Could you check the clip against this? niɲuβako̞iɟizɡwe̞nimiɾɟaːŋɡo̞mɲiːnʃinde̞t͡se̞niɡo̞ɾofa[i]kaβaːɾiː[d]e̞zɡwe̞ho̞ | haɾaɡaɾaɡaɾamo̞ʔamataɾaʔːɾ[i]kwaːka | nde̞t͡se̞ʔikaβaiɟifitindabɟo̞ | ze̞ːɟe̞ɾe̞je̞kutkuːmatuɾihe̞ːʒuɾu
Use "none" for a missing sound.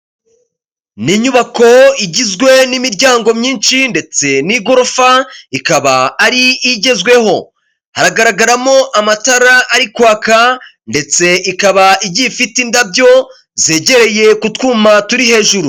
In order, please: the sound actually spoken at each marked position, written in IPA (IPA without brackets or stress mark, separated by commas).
i, ɟ, i